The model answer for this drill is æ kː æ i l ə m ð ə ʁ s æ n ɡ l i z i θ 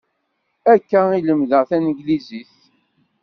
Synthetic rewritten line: æ kː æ i l ə m ð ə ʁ θ æ n ɡ l i z i θ

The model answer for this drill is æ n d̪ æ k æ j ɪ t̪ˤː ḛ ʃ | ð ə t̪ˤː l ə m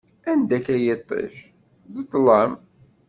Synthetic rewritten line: æ n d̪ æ k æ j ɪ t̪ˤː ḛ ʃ | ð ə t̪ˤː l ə m

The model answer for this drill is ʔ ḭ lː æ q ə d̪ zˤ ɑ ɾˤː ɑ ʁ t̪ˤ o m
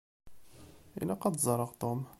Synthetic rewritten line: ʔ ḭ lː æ q ɑ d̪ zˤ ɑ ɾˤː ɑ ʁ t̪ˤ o m

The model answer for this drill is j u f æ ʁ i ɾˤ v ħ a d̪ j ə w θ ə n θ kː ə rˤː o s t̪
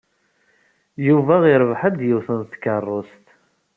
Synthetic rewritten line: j u v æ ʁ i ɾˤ v ħ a d̪ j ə w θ ə n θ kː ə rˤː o s t̪

